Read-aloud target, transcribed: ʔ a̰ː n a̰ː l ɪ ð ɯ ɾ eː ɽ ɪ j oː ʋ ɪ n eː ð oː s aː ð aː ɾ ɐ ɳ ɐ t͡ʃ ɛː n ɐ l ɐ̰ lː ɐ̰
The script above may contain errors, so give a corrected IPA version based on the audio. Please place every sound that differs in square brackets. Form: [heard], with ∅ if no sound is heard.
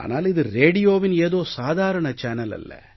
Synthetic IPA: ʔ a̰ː n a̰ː l ɪ ð ɯ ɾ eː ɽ ɪ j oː ʋ ɪ n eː ð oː s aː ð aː ɾ ɐ ɳ ɐ t͡ʃ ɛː n ɐ l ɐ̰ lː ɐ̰